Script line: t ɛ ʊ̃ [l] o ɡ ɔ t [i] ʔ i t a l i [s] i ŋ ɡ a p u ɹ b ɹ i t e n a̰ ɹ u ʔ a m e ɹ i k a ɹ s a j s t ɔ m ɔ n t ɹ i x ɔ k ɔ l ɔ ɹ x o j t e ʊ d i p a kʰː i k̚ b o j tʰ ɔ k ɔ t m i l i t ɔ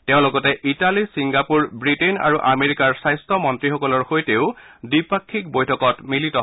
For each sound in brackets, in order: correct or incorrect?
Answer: correct, incorrect, correct

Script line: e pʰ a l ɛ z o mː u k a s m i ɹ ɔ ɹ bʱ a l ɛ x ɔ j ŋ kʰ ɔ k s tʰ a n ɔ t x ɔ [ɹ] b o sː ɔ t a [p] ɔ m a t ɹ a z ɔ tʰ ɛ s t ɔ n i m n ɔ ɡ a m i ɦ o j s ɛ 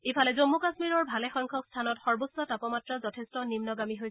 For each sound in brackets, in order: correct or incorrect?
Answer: correct, correct

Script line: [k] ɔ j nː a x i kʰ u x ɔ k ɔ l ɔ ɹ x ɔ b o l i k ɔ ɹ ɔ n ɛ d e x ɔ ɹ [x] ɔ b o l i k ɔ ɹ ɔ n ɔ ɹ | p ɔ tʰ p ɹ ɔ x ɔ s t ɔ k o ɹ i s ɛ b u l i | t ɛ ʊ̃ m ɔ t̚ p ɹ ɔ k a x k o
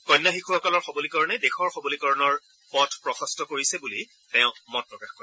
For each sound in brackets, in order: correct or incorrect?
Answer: correct, correct

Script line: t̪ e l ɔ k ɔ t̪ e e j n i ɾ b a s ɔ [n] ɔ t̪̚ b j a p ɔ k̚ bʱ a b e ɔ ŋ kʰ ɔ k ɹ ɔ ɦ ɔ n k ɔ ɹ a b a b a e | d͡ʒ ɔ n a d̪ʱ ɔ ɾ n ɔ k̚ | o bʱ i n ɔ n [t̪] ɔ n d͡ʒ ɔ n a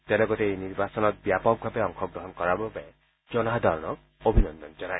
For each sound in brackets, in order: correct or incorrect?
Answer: correct, incorrect

